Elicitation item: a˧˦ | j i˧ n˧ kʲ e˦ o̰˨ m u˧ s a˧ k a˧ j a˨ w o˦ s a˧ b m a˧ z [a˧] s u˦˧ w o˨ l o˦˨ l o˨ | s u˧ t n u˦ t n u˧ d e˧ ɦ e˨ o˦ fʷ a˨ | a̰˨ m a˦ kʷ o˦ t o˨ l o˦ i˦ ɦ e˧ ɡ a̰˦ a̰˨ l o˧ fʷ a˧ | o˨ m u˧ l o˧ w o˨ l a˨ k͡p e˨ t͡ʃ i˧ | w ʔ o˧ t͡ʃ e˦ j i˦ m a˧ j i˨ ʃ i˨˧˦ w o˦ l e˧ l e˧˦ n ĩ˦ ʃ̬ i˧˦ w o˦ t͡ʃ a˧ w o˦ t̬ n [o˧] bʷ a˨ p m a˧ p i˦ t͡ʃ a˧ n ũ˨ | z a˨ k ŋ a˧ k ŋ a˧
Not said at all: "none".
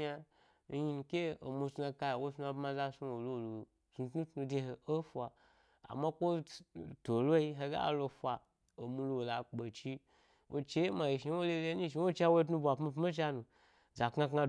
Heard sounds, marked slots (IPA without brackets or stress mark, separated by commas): a˧, u˧